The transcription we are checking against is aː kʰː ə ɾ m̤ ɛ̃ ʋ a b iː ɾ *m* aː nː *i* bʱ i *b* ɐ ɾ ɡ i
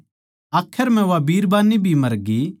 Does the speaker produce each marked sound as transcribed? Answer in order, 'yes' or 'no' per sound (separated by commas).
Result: no, yes, no